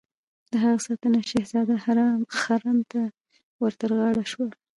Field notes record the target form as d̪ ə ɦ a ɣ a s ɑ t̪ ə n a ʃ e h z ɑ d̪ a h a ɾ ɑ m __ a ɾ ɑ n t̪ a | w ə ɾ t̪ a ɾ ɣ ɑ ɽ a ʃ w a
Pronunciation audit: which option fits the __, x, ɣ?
x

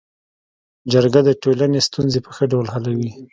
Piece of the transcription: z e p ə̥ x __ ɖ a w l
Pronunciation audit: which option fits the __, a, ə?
ə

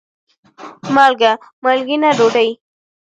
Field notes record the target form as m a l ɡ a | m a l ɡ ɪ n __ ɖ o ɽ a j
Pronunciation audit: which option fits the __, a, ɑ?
a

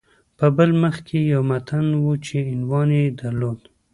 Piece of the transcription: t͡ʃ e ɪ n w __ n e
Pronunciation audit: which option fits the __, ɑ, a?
ɑ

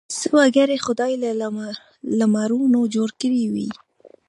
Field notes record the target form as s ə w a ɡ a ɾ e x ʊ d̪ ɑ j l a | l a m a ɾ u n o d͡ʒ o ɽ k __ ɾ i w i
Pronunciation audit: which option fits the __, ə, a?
ə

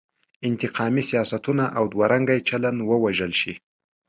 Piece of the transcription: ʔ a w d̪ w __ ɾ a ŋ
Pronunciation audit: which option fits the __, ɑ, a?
a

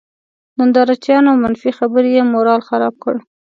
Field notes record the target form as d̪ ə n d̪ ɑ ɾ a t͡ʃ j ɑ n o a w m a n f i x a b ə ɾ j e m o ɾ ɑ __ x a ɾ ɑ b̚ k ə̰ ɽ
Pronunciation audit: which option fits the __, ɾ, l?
l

